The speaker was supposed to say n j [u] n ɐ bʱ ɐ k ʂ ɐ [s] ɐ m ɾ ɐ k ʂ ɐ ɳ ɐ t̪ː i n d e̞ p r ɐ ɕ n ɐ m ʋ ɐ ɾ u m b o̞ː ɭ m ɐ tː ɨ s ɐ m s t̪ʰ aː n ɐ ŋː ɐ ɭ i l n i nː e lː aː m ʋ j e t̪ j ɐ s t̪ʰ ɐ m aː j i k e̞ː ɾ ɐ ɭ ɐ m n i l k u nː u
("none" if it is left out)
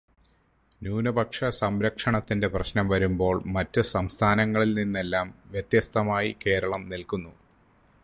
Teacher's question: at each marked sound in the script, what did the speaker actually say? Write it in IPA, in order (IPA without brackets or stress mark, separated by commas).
uː, s